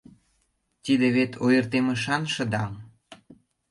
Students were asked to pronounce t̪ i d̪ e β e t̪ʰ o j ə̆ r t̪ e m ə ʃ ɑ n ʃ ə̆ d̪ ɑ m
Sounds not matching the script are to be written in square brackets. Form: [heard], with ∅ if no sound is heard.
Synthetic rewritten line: t̪ i d̪ e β e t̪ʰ o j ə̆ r t̪ e m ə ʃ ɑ n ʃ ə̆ d̪ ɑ m